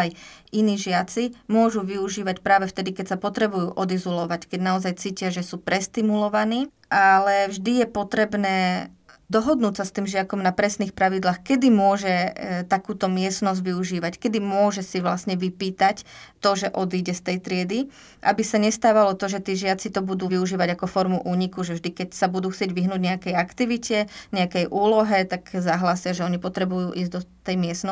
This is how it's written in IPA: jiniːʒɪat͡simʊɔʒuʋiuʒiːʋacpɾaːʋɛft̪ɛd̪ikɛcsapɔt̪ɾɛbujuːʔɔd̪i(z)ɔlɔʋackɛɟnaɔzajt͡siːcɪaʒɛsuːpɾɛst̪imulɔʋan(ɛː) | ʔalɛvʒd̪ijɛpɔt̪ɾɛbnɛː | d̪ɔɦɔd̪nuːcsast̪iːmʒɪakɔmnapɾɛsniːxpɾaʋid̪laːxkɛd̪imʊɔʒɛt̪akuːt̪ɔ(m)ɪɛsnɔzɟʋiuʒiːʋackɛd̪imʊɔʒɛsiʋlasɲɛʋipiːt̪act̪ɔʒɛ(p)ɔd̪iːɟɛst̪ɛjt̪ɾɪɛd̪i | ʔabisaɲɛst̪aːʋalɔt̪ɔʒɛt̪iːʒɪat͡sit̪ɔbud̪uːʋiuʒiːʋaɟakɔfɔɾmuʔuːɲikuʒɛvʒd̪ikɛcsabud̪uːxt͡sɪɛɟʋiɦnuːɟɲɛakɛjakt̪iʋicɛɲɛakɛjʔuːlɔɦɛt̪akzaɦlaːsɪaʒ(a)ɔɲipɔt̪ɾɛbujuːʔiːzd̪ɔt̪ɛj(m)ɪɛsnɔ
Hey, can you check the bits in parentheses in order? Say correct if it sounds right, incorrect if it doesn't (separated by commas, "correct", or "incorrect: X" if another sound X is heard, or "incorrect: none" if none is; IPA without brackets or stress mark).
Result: correct, incorrect: iː, correct, incorrect: ʔ, incorrect: ɛ, correct